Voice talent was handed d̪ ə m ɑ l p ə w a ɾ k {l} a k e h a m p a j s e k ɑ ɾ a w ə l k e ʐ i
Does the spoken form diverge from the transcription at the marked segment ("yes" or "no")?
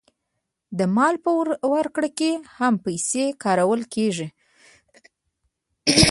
yes